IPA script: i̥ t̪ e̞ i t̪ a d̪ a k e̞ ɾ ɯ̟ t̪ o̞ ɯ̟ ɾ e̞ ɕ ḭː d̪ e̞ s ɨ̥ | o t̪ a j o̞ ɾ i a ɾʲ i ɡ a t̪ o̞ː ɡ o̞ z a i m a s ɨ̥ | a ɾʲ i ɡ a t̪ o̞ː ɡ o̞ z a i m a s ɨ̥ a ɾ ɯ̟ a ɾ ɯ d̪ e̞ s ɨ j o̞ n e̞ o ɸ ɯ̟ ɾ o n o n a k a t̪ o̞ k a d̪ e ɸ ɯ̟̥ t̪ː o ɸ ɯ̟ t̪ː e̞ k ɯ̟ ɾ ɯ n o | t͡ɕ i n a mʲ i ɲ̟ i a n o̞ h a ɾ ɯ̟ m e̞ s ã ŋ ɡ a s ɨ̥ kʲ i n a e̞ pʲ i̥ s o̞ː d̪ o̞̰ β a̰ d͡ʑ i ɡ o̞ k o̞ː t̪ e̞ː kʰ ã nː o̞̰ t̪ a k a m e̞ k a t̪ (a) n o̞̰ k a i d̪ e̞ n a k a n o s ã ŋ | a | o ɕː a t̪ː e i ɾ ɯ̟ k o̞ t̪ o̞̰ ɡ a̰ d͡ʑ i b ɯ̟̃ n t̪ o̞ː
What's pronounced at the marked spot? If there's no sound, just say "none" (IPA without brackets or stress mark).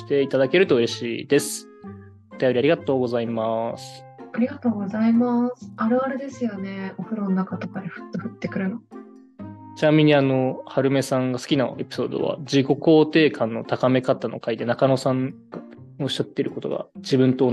a